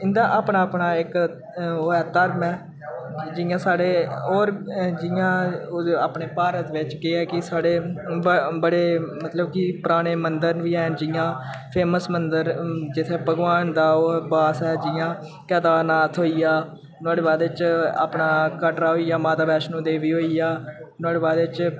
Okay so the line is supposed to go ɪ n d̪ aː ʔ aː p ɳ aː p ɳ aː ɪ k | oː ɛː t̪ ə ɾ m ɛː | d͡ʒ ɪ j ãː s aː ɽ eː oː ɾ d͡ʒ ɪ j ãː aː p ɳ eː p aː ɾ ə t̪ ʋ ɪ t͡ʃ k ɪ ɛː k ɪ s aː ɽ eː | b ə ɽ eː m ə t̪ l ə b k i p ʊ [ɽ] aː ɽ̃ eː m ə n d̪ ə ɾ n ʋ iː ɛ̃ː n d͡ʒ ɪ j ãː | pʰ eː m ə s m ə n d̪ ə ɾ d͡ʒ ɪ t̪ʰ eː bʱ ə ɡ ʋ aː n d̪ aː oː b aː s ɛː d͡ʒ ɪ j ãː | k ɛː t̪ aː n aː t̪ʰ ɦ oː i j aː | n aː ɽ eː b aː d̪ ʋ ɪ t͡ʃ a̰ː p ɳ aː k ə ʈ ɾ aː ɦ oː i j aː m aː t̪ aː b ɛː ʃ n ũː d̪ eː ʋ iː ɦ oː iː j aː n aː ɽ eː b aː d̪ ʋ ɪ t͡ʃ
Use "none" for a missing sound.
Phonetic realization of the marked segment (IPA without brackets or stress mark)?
ɾ